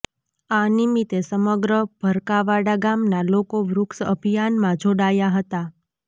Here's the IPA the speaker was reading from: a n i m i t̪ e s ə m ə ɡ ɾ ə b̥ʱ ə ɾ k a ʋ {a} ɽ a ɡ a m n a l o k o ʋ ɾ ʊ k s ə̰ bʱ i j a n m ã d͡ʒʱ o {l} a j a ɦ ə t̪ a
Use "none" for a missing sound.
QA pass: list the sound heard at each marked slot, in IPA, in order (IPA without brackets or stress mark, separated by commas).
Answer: a, ɽ